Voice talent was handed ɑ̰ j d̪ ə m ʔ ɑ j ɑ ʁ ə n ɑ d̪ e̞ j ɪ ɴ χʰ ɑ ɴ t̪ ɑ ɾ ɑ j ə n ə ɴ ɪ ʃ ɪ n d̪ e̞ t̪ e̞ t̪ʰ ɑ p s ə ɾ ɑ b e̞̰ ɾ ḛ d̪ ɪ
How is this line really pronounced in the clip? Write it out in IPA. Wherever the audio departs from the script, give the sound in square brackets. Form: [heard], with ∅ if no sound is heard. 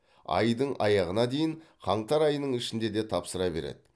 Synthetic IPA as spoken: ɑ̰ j d̪ ə [ɴ] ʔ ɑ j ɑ ʁ ə n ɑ d̪ e̞ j ɪ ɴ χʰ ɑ ɴ t̪ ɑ ɾ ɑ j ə n ə ɴ ɪ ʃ ɪ n d̪ e̞ [d̪] e̞ t̪ʰ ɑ p s ə ɾ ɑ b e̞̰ ɾ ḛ d̪ ɪ